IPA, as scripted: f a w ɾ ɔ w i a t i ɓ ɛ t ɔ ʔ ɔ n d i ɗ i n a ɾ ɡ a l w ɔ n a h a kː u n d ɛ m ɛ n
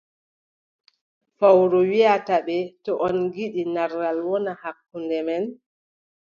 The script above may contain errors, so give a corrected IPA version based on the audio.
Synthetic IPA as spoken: f a w ɾ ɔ w i a t a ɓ ɛ t ɔ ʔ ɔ n ɡ i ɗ i n a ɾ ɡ a l w ɔ n a h a kː u n d ɛ m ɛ n